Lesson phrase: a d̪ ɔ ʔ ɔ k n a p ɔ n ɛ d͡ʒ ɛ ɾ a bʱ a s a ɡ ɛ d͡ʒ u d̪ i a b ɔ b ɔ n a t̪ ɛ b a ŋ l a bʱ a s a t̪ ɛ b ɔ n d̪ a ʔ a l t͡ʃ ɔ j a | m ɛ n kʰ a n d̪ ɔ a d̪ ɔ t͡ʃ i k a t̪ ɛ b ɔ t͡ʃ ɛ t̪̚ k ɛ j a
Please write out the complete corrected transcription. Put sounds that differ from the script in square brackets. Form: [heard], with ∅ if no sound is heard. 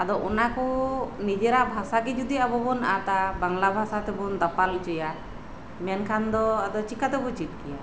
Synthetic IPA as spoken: a d̪ ɔ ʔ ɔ [∅] n a [k] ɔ n [i] d͡ʒ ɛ ɾ a bʱ a s a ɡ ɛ d͡ʒ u d̪ i a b ɔ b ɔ n a t̪ [a] b a ŋ l a bʱ a s a t̪ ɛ b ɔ n d̪ a [p] a l t͡ʃ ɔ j a | m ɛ n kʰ a n d̪ ɔ a d̪ ɔ t͡ʃ i k a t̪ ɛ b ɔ t͡ʃ [i] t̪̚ k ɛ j a